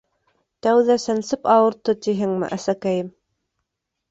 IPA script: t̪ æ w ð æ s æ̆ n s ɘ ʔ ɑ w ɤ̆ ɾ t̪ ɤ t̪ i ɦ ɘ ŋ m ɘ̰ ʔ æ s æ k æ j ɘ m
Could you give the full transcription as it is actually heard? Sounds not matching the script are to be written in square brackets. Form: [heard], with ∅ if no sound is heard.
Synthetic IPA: t̪ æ w ð æ s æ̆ n s ɘ [p] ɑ w ɤ̆ ɾ t̪ ɤ t̪ i ɦ ɘ ŋ m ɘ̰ ʔ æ s æ k æ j ɘ m